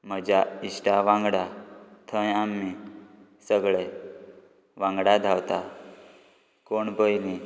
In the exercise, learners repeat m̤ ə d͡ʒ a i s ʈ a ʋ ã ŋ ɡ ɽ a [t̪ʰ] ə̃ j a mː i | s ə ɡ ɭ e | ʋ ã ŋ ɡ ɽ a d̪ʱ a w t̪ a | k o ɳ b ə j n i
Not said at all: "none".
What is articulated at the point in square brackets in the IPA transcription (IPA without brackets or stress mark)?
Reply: t̪ʰ